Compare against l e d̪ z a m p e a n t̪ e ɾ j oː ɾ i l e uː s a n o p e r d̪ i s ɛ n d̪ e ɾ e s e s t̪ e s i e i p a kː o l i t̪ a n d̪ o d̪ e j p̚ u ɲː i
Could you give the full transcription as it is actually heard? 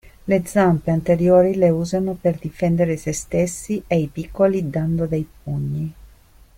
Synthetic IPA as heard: l e d̪ z a m p e a n t̪ e ɾ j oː ɾ i l e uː z a n o p e r d̪ i f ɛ n d̪ e ɾ e s e s t̪ e sː i e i p i kː o l i d̪ a n d̪ o d̪ e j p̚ u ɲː i